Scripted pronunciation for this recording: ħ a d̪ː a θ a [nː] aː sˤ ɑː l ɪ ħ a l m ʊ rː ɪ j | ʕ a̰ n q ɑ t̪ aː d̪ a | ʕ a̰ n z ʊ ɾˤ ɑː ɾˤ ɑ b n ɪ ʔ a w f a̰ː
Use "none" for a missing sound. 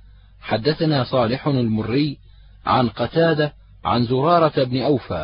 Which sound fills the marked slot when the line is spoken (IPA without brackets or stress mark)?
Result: n